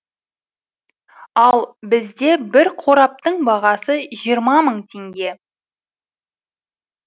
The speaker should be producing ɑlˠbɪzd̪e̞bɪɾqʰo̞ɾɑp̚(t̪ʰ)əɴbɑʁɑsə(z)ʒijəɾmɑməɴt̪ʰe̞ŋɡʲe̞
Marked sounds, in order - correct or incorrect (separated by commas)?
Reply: incorrect, incorrect